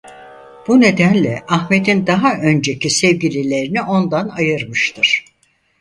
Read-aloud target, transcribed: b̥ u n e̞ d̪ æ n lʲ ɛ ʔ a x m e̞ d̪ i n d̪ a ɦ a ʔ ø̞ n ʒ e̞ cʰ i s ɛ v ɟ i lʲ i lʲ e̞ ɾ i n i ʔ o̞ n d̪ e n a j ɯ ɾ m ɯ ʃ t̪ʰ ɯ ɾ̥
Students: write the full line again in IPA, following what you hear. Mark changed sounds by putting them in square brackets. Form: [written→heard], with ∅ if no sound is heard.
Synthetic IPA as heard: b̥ u n e̞ d̪ æ n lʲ ɛ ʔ a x m e̞ d̪ i n d̪ a ɦ a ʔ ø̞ n [ʒ→d͡ʒ] e̞ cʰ i s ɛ v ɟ i lʲ i lʲ e̞ ɾ i n i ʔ o̞ n d̪ [e→a] n a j ɯ ɾ m ɯ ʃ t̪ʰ ɯ ɾ̥

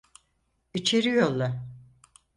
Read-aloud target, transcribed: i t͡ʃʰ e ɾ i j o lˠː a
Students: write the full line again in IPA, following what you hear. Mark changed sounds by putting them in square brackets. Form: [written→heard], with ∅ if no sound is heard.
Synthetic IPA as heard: i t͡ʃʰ e ɾ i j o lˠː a

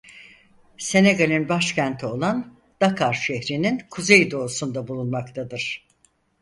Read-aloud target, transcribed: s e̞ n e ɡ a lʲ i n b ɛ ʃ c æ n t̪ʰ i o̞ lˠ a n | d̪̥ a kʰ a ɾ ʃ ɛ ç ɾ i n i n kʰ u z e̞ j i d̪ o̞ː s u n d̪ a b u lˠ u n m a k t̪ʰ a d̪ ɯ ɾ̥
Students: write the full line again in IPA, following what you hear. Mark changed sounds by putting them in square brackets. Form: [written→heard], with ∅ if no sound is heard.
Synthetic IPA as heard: s e̞ n e ɡ a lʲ i n b [ɛ→a] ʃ c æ n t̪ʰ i o̞ lˠ a n | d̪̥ a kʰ a ɾ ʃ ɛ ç ɾ i n i n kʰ u z e̞ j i d̪ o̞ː s u n d̪ a b u lˠ u n m a k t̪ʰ a d̪ ɯ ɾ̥

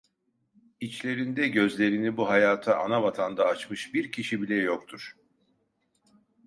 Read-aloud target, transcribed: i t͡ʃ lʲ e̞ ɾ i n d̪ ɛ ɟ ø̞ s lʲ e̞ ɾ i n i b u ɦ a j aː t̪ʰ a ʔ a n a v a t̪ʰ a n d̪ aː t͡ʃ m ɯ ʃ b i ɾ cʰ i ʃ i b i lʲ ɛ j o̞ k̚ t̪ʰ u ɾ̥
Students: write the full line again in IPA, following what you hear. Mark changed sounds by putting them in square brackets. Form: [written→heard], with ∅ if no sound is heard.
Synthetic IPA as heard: i t͡ʃ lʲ e̞ ɾ i n d̪ ɛ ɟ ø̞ [s→z] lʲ e̞ ɾ i n i b u ɦ a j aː t̪ʰ a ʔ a n a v a t̪ʰ a n d̪ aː t͡ʃ m ɯ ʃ b i ɾ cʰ i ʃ i b i lʲ ɛ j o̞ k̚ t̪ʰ u ɾ̥

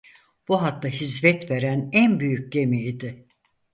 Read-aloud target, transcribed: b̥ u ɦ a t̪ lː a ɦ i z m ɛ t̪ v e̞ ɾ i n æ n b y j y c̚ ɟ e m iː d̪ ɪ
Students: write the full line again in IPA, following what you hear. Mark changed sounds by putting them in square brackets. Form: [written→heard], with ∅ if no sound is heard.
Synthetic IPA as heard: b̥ u ɦ a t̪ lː a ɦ i z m ɛ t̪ v e̞ ɾ [i→æ] n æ n b y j y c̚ ɟ e m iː d̪ ɪ

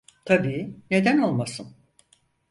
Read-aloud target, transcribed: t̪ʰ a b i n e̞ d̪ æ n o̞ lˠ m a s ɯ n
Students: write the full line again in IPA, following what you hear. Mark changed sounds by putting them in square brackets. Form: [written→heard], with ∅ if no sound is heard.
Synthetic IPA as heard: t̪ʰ a b [i→iː] n e̞ d̪ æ n o̞ lˠ m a s ɯ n

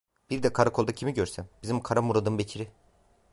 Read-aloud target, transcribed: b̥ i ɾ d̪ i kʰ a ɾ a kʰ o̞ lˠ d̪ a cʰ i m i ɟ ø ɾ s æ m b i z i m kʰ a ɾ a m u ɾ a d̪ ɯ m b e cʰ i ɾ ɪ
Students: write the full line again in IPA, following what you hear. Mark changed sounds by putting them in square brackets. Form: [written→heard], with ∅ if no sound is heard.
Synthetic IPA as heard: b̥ i ɾ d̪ [i→ɛ] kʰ a ɾ a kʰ o̞ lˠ d̪ a cʰ i m i ɟ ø ɾ s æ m b i z i m kʰ a ɾ a m u ɾ a d̪ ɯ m b e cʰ i ɾ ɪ

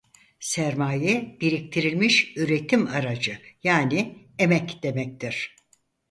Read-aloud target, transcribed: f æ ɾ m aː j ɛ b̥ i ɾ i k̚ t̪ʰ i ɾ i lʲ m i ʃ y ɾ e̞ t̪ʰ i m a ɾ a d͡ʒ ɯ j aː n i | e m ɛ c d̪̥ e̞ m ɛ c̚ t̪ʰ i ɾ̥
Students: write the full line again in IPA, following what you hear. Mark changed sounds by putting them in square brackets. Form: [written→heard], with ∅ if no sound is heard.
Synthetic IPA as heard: [f→s] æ ɾ m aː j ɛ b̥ i ɾ i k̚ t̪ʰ i ɾ i lʲ m i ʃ y ɾ e̞ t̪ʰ i m a ɾ a d͡ʒ ɯ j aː n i | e m ɛ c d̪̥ e̞ m ɛ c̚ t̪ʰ i ɾ̥

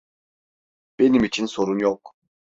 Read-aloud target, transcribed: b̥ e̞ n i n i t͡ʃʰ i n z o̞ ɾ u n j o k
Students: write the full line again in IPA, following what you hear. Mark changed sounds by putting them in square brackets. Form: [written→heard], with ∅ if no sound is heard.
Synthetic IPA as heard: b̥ e̞ n i [n→m] i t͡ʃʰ i n [z→s] o̞ ɾ u n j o k

